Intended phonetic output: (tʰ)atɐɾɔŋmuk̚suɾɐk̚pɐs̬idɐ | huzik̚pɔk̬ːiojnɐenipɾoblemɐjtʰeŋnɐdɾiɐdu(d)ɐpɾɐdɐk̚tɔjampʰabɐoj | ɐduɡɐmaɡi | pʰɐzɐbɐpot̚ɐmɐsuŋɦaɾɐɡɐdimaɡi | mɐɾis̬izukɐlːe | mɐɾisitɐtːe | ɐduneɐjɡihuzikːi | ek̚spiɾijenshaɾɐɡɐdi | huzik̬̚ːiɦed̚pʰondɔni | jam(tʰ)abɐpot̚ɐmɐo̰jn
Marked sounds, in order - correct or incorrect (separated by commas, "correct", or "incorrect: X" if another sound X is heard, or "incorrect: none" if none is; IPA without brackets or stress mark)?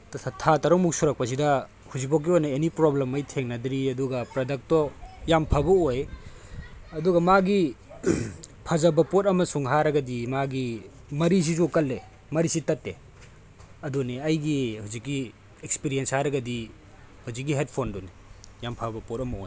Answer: correct, incorrect: ɡ, incorrect: pʰ